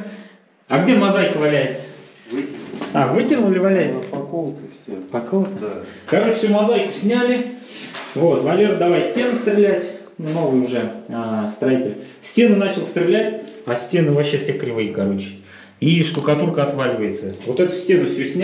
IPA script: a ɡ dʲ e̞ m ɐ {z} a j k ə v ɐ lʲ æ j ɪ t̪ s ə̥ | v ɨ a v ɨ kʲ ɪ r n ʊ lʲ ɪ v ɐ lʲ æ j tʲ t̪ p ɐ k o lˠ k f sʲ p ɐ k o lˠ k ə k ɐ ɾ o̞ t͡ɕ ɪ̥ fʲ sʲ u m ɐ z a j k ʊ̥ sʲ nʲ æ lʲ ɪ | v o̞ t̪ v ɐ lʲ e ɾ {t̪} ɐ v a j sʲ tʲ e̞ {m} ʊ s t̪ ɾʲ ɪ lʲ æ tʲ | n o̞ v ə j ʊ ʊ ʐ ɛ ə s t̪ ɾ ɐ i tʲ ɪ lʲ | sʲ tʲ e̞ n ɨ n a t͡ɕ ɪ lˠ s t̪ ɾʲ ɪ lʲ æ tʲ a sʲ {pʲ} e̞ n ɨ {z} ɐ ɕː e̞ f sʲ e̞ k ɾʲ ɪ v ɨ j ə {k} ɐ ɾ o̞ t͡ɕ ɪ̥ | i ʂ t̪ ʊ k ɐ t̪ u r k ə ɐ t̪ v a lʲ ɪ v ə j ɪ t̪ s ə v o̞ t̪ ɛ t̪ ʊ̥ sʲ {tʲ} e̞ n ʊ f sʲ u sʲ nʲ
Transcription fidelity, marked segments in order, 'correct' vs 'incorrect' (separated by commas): correct, incorrect, incorrect, incorrect, incorrect, correct, correct